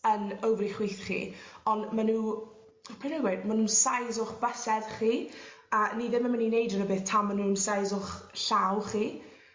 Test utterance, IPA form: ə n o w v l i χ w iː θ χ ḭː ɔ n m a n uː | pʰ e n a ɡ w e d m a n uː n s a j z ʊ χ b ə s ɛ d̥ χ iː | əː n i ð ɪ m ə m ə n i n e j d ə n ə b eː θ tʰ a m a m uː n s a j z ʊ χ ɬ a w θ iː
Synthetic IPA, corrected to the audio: ə n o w v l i χ w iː θ χ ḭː ɔ n m a n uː | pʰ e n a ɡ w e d m a n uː n s a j z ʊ χ b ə s ɛ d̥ χ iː | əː n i ð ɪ m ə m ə n i n e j d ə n ə b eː θ tʰ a m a n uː n s a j z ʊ χ ɬ a w χ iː